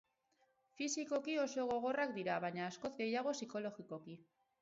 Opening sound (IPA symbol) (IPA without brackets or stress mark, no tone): f